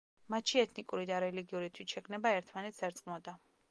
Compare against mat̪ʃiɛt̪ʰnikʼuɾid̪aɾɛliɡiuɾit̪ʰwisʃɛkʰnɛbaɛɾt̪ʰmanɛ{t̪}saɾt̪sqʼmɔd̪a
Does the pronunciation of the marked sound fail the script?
no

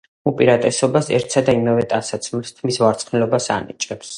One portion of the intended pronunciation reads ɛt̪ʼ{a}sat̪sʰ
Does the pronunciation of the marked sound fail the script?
no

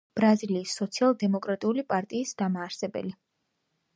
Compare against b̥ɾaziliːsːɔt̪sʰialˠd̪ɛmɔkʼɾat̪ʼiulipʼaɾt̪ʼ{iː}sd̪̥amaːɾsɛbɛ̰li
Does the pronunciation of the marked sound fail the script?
no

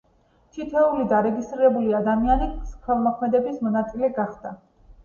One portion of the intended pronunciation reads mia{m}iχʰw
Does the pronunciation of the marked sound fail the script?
yes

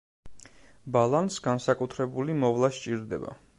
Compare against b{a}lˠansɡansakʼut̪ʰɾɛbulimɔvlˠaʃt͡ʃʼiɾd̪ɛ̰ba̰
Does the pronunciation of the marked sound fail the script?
no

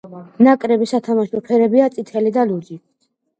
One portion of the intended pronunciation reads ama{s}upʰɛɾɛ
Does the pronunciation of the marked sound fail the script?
yes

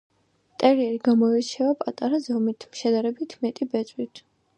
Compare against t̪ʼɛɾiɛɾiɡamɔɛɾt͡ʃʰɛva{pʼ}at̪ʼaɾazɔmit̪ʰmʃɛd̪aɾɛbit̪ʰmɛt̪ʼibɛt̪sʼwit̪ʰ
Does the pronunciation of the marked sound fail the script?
no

